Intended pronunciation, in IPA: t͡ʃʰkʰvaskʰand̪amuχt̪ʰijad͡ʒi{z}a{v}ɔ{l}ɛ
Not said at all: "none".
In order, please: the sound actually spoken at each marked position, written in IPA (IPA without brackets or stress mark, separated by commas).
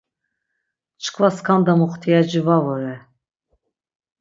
v, v, ɾ